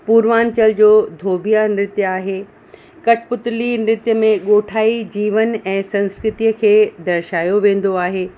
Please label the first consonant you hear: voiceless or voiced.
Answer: voiceless